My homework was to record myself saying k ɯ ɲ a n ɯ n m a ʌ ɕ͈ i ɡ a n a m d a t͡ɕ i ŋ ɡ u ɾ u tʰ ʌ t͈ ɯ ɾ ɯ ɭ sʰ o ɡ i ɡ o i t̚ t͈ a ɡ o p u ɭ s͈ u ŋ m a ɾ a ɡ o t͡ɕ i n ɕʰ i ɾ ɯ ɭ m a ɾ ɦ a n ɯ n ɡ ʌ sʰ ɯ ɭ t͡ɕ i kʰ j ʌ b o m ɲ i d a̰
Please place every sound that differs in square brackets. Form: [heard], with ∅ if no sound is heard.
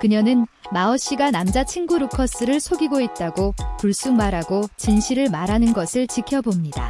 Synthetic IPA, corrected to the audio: k ɯ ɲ [ʌ] n ɯ n m a ʌ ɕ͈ i ɡ a n a m [d͡ʑ] a [t͡ɕʰ] i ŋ ɡ u ɾ u [kʰ] ʌ [s͈] ɯ ɾ ɯ ɭ sʰ o ɡ i ɡ o i t̚ t͈ a ɡ o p u ɭ s͈ u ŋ m a ɾ a ɡ o t͡ɕ i n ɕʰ i ɾ ɯ ɭ m a ɾ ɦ a n ɯ n ɡ ʌ sʰ ɯ ɭ t͡ɕ i kʰ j ʌ b o m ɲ i d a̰